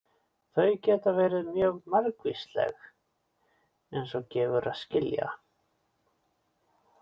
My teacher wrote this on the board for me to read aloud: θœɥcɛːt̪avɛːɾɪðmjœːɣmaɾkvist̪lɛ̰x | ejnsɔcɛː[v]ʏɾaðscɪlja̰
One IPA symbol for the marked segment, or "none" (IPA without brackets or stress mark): v